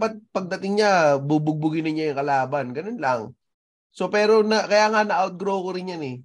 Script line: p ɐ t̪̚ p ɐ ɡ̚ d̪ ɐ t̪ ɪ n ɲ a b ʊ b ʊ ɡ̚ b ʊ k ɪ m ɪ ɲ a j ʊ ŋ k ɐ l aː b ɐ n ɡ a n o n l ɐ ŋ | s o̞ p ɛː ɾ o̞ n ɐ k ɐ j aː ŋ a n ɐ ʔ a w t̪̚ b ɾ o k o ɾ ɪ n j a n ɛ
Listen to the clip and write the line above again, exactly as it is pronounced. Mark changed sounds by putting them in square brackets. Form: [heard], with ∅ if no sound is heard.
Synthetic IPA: p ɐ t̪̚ p ɐ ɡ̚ d̪ ɐ t̪ ɪ [ŋ] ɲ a b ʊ b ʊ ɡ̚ b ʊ [ɡ] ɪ [n] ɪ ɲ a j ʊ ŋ k ɐ l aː b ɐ n ɡ [ɐ] n o n l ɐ ŋ | s o̞ p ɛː ɾ o̞ n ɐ k ɐ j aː ŋ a n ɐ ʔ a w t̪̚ [ɡ] ɾ o k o ɾ ɪ n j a n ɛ